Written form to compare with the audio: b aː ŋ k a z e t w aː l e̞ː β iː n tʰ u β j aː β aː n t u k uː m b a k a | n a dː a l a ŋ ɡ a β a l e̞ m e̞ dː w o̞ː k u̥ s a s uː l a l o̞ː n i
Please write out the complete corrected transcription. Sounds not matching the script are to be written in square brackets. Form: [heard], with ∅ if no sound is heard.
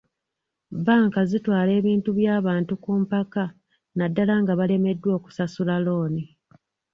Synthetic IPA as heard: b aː ŋ k a z [i] t w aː l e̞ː β iː n [t] u β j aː β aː n t u k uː m [p] a k a | n a dː a l a ŋ ɡ a β a l e̞ m e̞ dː w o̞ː k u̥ s a s [u] l a l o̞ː n i

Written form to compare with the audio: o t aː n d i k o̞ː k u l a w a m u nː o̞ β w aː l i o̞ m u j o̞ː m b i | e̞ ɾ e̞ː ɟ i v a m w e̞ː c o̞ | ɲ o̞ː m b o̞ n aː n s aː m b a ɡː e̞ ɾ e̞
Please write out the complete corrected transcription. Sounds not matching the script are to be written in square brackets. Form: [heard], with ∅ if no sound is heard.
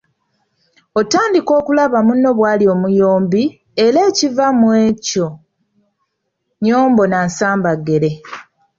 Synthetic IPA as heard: o t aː n d i k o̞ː k u l a [β] a m u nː o̞ β w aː l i o̞ m u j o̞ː m b i | e̞ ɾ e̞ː [c] i v a m w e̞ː c o̞ | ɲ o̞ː m b o̞ n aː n s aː m b a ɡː e̞ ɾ e̞

